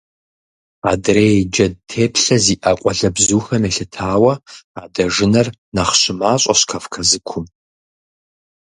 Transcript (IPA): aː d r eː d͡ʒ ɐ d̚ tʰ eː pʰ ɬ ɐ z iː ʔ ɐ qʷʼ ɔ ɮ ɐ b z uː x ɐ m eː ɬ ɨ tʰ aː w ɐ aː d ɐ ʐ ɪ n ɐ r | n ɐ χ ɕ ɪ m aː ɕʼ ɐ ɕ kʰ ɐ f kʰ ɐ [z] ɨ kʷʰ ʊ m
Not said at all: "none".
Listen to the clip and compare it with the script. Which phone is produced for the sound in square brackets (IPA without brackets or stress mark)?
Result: z